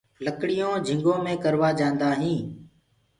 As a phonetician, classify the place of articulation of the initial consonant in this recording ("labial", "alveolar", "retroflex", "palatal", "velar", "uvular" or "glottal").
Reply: alveolar